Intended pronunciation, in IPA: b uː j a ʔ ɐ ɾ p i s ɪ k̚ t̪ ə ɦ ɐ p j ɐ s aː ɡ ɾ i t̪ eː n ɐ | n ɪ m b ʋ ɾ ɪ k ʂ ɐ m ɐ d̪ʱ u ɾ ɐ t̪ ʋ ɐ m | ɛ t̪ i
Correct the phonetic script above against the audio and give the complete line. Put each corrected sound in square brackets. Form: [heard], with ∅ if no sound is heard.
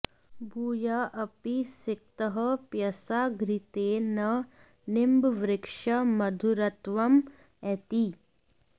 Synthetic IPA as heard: b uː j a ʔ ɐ [∅] p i s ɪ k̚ t̪ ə ɦ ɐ p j ɐ s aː ɡ ɾ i t̪ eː n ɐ | n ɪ m b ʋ ɾ ɪ k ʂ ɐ m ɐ d̪ʱ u ɾ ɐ t̪ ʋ ɐ m | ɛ t̪ i